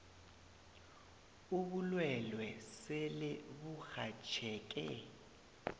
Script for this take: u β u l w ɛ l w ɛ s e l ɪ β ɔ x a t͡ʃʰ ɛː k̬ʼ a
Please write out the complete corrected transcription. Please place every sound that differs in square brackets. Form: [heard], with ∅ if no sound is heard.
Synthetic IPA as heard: u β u l w ɛ l w ɛ s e l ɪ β [u] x a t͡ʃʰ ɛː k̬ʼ [ɛ]